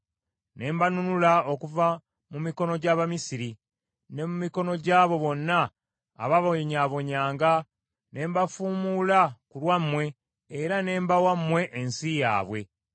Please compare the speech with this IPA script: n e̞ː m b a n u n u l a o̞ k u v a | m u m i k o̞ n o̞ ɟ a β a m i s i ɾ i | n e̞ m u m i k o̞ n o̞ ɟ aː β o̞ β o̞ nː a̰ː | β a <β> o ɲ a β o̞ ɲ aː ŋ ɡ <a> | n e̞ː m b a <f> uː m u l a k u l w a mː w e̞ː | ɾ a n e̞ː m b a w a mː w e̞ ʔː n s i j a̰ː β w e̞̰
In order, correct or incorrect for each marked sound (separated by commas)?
correct, correct, correct